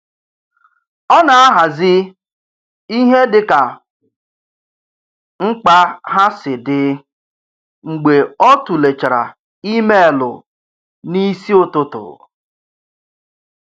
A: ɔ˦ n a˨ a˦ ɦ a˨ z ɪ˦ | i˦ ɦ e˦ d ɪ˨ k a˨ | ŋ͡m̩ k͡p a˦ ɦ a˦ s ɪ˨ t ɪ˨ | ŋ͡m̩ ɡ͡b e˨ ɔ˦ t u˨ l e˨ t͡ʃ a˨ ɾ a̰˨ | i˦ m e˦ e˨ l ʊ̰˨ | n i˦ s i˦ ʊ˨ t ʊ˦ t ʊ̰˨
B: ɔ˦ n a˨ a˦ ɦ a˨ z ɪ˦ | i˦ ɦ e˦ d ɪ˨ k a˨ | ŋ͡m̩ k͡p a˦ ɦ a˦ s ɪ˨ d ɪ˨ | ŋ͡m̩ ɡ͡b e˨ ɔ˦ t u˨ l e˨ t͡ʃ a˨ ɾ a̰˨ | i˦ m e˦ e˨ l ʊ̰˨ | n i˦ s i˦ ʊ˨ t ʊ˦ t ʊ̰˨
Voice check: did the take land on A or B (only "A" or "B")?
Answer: B